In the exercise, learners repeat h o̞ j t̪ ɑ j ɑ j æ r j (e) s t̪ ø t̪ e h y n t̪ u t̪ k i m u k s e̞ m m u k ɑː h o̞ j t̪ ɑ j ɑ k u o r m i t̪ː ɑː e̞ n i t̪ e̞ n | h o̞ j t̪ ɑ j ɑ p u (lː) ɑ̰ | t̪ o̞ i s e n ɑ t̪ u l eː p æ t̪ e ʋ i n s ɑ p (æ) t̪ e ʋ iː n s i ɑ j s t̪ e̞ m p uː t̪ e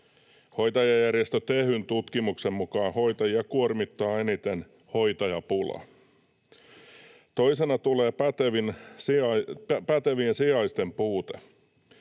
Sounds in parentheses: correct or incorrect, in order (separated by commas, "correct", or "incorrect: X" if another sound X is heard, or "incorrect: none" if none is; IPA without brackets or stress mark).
correct, incorrect: l, correct